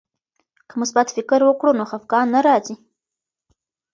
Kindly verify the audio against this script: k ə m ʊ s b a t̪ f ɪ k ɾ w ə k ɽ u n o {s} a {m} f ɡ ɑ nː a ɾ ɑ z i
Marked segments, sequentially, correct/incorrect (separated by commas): incorrect, incorrect